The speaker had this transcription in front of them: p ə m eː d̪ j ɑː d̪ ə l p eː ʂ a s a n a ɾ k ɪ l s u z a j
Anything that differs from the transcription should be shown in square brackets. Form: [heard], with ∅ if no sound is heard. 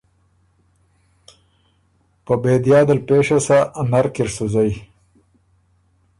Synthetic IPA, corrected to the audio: p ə [b] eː d̪ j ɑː d̪ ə l p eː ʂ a s a n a ɾ k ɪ [ɾ] s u z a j